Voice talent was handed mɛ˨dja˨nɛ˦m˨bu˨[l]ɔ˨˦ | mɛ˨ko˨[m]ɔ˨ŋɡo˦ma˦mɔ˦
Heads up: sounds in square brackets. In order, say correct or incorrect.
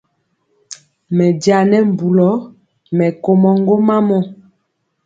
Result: correct, correct

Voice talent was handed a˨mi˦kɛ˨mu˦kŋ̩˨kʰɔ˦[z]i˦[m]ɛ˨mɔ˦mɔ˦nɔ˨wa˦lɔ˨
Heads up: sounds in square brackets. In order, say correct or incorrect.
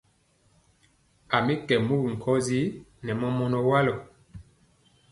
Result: correct, incorrect

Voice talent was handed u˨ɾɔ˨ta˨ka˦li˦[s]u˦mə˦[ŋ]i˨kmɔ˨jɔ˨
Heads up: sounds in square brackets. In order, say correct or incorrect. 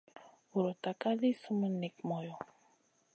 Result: correct, incorrect

